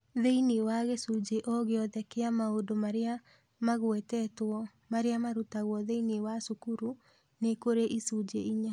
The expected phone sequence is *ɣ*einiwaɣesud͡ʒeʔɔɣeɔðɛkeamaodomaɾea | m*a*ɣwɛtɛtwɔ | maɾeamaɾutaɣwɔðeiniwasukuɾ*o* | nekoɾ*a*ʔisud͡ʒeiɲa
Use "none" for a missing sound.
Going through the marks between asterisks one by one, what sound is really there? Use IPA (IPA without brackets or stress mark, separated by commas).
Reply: ð, a, u, e